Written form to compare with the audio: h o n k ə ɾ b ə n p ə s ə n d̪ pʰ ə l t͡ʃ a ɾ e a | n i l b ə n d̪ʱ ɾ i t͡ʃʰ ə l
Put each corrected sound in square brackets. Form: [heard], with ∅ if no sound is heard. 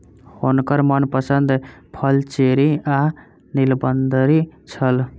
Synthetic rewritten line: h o n k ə ɾ [m] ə n p ə s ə n d̪ pʰ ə l t͡ʃ [e] ɾ [i] a | n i l b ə n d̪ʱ ɾ i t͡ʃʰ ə l